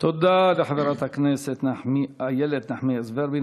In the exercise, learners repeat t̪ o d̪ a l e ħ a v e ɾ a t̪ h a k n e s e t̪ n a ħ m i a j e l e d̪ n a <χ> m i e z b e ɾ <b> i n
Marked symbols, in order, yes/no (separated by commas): no, yes